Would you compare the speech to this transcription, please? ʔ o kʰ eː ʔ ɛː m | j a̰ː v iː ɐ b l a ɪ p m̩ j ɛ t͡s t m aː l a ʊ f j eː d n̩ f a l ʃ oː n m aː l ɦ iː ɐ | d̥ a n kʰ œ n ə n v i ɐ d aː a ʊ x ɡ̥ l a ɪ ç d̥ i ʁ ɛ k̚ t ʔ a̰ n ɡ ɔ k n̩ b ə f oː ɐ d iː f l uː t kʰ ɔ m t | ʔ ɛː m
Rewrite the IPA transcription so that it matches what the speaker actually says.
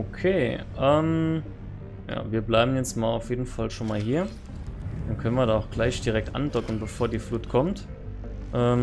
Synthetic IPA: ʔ o kʰ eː ʔ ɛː m | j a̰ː v iː ɐ b l a ɪ b m̩ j ɛ t͡s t m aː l a ʊ f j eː d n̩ f a l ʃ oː n m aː l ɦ iː ɐ | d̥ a n kʰ œ n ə n v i ɐ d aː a ʊ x ɡ̥ l a ɪ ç d̥ i ʁ ɛ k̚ t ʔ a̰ n d ɔ k n̩ b ə f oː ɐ d iː f l uː t kʰ ɔ m t | ʔ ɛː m